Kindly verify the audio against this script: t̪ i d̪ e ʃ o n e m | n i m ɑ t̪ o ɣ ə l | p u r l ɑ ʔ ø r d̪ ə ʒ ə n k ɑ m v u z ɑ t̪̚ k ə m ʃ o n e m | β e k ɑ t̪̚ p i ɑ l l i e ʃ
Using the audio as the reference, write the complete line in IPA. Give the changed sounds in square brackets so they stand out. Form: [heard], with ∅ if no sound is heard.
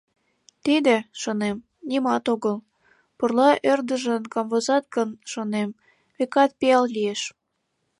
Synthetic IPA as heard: t̪ i d̪ e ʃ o n e m | n i m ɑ t̪ o ɣ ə l | p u r l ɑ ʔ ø r d̪ ə ʒ ə n k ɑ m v [o] z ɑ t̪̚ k ə [n] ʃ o n e m | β e k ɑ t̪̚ p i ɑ l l i e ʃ